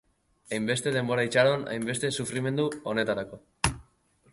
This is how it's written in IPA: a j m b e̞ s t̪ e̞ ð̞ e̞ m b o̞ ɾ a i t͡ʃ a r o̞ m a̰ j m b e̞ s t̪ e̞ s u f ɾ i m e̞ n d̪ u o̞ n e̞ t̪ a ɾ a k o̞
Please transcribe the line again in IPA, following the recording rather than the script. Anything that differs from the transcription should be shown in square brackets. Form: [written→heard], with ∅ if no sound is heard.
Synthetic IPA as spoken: a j m b e̞ s t̪ e̞ ð̞ e̞ m b o̞ ɾ a i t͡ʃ a [r→ɾ] o̞ [m→n] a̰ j m b e̞ s t̪ e̞ s u f ɾ i m e̞ n d̪ u o̞ n e̞ t̪ a ɾ a k o̞